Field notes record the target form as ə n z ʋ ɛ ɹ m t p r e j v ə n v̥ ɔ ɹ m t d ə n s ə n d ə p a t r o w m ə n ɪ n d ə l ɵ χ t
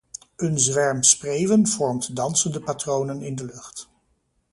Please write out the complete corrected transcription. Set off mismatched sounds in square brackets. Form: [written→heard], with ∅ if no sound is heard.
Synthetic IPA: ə n z ʋ ɛ ɹ m [t→s] p r e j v ə n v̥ ɔ ɹ m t d [ə→ɑ] n s ə n d ə p a t r o w [m→n] ə n ɪ n d ə l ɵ χ t

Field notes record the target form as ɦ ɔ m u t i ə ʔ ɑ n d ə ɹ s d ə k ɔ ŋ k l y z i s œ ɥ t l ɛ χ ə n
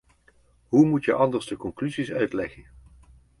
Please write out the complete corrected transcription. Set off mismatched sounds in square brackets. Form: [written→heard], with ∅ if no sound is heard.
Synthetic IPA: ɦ [ɔ→u] m u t [i→j] ə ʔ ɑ n d ə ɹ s d ə k ɔ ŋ k l y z i s œ ɥ t l ɛ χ ə n

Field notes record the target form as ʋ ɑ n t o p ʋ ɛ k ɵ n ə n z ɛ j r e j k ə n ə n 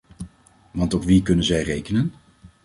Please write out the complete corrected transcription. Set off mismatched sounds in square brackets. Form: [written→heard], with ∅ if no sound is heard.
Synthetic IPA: ʋ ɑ n t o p ʋ [ɛ→i] k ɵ n ə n z ɛ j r e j k ə n ə n

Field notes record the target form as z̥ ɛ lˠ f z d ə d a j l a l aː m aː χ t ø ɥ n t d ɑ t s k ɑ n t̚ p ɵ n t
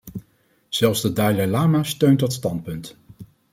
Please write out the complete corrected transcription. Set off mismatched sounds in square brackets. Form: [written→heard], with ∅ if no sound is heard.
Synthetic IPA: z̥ ɛ lˠ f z d ə d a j l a l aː m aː [χ→s] t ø ɥ n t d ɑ t s [k→t] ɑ n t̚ p ɵ n t

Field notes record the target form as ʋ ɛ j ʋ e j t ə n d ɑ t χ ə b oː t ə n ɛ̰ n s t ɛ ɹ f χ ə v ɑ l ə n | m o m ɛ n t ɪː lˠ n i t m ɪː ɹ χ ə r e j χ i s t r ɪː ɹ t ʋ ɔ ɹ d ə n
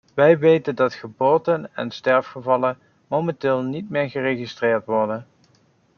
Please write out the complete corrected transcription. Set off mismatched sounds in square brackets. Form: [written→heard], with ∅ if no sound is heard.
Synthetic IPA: ʋ ɛ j ʋ e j t ə n d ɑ t χ ə b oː t ə n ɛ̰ n s t ɛ ɹ f χ ə v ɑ l ə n | m o m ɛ n t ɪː lˠ n i t m ɪː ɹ χ ə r e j χ i s t r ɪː ɹ t ʋ ɔ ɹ d ə n

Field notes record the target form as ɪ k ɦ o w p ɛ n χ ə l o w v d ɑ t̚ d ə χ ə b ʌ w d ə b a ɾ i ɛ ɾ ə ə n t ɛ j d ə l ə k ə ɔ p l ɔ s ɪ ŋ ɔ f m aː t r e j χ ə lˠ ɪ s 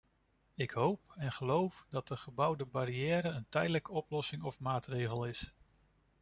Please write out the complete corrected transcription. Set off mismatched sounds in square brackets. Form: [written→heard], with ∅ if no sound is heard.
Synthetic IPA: ɪ k ɦ o w p ɛ n χ ə l o w [v→f] d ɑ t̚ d ə χ ə b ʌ w d ə b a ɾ i [ɛ→ɛː] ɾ ə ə n t ɛ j d ə l ə k ə ɔ p l ɔ s ɪ ŋ ɔ f m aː t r e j χ ə lˠ ɪ s

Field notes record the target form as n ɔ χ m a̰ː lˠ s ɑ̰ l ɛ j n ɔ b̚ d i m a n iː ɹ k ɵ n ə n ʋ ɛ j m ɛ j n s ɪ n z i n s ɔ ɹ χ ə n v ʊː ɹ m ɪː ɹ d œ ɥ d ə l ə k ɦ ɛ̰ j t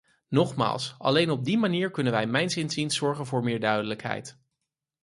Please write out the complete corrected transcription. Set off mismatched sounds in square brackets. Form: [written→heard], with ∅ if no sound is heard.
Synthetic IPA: n ɔ χ m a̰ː lˠ s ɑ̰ l [ɛ→e] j n ɔ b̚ d i m a n iː ɹ k ɵ n ə n ʋ ɛ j m ɛ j n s ɪ n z i n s ɔ ɹ χ ə n v ʊː ɹ m ɪː ɹ d œ ɥ d ə l ə k ɦ ɛ̰ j t

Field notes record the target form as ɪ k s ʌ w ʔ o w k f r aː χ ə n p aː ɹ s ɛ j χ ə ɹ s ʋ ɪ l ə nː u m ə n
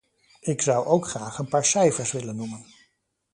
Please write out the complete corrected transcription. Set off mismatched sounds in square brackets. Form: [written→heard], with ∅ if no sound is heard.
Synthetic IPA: ɪ k s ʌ w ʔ o w k [f→χ] r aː χ ə n p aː ɹ s ɛ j [χ→f] ə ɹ s ʋ ɪ l ə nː u m ə n

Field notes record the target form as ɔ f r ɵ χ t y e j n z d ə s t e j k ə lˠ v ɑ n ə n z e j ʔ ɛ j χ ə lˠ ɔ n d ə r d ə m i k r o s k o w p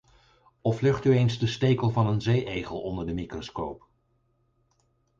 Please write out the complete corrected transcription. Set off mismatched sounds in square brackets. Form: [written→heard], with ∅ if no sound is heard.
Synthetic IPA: ɔ f [r→l] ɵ χ t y e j n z d ə s t e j k ə lˠ v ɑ n ə n z e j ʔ [ɛ→e] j χ ə lˠ ɔ n d ə [r→ɹ] d ə m i k r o s k o w p

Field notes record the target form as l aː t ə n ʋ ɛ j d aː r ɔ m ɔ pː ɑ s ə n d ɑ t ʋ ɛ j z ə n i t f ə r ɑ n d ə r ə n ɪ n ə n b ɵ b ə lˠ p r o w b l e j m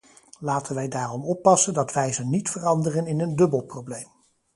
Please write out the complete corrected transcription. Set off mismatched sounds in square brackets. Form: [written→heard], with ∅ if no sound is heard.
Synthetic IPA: l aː t ə n ʋ ɛ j d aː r ɔ m ɔ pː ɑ s ə n d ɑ t ʋ ɛ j z ə n i t f ə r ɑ n d ə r ə n ɪ n ə n [b→d] ɵ b ə lˠ p r o w b l e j m

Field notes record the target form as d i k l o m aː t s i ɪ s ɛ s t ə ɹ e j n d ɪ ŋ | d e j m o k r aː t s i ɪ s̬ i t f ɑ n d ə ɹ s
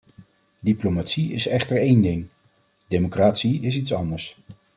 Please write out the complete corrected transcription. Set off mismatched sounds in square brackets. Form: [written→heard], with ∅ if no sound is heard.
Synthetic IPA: d i [k→p] l o m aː t s i ɪ s ɛ [s→χ] t ə ɹ e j n d ɪ ŋ | d e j m o k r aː t s i ɪ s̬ i t [f→s] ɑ n d ə ɹ s

